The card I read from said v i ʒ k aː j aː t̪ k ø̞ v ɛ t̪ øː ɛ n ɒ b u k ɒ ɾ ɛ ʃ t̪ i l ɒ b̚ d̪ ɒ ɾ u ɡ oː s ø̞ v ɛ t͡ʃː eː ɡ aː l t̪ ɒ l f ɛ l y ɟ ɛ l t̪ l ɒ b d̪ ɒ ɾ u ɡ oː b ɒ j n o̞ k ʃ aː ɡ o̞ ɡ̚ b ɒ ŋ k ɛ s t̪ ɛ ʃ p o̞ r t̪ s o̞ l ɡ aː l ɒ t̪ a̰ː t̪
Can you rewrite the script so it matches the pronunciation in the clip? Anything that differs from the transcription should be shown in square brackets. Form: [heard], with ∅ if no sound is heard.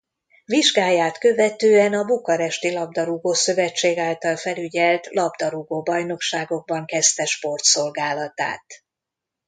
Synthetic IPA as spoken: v i ʒ [ɡ] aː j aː t̪ k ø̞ v ɛ t̪ øː ɛ n ɒ b u k ɒ ɾ ɛ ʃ t̪ i l ɒ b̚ d̪ ɒ ɾ u ɡ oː s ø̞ v ɛ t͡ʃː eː ɡ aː l t̪ ɒ l f ɛ l y ɟ ɛ l t̪ l ɒ b d̪ ɒ ɾ u ɡ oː b ɒ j n o̞ k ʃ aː ɡ o̞ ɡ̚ b ɒ ŋ k ɛ s t̪ ɛ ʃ p o̞ r t̪ s o̞ l ɡ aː l ɒ t̪ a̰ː t̪